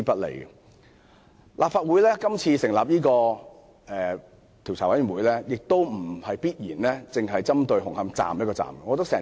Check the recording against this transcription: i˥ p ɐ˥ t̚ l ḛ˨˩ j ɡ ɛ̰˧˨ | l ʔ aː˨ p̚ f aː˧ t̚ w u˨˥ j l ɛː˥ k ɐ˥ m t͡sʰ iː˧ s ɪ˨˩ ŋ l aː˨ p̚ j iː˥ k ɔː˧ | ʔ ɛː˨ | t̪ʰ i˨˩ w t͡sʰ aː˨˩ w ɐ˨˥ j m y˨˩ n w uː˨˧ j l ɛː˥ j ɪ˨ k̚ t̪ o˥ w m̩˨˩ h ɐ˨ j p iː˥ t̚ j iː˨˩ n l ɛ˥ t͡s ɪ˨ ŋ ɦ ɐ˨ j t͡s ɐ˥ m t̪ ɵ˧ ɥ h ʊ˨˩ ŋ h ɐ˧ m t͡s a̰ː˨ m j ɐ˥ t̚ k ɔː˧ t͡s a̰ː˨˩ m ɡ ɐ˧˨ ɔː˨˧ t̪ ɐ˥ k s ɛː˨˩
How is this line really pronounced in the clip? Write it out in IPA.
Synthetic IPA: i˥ p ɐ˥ t̚ l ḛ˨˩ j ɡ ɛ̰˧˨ | l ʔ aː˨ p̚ f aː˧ t̚ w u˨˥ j l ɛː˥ k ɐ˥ m t͡sʰ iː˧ s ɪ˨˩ ŋ l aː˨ p̚ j iː˥ k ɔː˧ | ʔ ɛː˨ | t̪ʰ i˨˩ w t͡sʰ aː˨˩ w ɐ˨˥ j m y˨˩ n w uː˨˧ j l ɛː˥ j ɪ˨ k̚ t̪ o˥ w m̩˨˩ h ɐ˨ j p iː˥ t̚ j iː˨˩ n l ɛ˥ t͡s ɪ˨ ŋ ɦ ɐ˨ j t͡s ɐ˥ m t̪ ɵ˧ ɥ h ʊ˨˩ ŋ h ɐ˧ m t͡s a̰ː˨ m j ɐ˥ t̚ k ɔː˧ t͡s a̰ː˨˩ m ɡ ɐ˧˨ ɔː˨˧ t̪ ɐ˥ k s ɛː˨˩